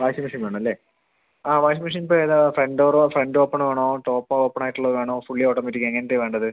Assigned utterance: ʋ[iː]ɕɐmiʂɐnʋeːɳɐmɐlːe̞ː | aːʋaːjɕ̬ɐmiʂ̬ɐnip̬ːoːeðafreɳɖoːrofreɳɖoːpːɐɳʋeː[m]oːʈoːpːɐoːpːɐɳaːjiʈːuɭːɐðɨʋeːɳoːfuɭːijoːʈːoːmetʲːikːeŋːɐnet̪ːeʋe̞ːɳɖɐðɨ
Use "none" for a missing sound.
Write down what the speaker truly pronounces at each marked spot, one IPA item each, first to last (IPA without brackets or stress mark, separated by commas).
aː, ɳ